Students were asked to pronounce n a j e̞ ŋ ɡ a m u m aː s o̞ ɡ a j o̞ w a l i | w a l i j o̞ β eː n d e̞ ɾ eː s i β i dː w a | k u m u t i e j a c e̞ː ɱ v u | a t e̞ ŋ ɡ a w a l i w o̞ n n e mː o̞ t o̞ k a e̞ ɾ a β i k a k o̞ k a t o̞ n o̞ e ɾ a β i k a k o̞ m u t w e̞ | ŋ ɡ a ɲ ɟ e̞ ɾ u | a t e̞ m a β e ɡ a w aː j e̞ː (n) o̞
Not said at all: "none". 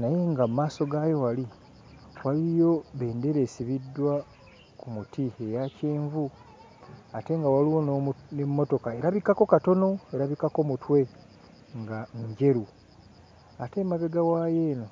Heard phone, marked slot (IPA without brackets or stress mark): n